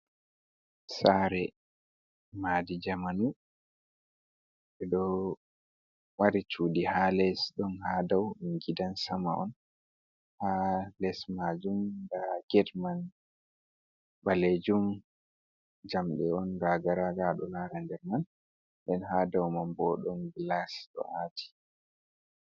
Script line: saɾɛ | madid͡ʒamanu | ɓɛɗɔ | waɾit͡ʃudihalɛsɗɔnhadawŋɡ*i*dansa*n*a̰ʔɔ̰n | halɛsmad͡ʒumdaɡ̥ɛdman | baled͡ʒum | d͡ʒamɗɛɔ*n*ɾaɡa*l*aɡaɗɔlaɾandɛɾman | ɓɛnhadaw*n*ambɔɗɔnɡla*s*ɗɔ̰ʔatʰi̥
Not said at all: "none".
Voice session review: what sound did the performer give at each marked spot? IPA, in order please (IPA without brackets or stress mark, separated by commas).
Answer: i, m, n, ɾ, m, s